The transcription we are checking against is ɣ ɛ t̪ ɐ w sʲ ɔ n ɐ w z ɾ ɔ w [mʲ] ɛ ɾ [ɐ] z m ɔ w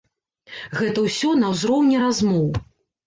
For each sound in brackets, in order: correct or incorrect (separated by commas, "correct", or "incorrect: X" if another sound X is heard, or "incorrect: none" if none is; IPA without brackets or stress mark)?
incorrect: nʲ, incorrect: a